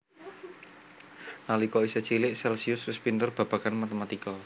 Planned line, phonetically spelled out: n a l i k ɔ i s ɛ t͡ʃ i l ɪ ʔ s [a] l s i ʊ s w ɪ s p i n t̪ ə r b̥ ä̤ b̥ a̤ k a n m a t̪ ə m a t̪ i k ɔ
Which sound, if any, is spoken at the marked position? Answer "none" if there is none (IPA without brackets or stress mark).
ɛ